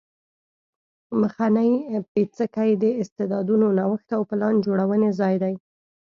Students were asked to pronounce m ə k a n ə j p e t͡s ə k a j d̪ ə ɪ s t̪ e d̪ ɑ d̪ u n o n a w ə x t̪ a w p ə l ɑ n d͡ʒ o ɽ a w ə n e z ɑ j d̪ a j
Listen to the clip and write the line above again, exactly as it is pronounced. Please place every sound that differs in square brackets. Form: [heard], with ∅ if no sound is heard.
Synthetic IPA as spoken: m ə [x] a n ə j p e t͡s ə k a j d̪ ə ɪ s t̪ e d̪ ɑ d̪ u n o n a w ə x t̪ a w p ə l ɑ n d͡ʒ o ɽ a w ə n e z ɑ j d̪ a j